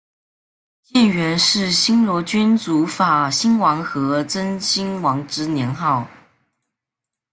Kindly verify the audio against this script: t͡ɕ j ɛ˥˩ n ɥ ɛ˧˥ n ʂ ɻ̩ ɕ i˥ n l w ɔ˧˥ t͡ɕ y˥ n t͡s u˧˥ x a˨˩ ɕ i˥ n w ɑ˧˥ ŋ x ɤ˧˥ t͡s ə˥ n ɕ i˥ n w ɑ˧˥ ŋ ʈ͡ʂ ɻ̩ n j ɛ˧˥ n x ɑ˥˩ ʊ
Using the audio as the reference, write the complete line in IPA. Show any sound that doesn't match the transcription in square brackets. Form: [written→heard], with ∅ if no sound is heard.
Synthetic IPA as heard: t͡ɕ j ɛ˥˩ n ɥ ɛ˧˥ n ʂ ɻ̩ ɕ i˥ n l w ɔ˧˥ t͡ɕ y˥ n t͡s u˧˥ [x→f] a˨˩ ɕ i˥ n w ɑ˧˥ ŋ x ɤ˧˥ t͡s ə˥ n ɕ i˥ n w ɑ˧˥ ŋ ʈ͡ʂ ɻ̩ n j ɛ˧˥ n x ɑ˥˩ ʊ